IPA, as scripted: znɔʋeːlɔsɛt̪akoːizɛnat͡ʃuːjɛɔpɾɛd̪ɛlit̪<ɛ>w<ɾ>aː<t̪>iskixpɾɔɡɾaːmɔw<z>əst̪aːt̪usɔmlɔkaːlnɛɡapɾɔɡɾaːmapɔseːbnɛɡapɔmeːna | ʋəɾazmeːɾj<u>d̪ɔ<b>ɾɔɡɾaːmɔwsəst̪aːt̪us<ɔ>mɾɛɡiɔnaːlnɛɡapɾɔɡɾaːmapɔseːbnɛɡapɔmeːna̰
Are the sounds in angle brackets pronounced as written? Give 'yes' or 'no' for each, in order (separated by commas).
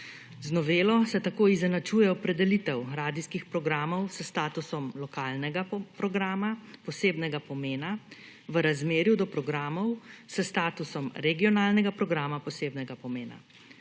yes, yes, no, no, yes, no, yes